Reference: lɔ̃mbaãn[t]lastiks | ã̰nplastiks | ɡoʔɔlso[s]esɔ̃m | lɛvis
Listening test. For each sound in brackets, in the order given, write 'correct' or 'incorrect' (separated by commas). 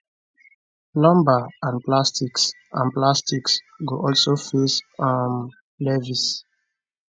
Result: incorrect, incorrect